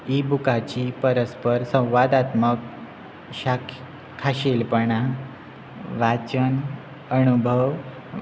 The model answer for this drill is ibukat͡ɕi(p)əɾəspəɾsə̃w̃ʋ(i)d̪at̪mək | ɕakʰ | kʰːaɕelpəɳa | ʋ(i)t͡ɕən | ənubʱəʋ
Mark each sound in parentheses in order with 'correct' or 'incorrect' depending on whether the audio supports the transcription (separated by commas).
correct, incorrect, incorrect